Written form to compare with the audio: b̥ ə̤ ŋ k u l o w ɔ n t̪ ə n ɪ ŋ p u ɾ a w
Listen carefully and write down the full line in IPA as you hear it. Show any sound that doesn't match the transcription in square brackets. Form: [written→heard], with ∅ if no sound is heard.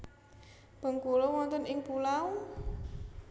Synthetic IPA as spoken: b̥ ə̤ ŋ k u l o w ɔ n t̪ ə n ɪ ŋ p u [ɾ→l] a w